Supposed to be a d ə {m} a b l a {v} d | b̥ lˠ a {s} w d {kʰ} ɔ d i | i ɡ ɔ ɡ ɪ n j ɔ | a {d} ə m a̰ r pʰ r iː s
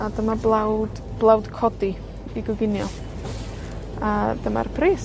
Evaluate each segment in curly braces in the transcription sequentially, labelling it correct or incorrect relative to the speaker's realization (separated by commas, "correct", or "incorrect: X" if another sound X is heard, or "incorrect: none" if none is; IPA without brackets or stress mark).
correct, incorrect: w, incorrect: none, correct, correct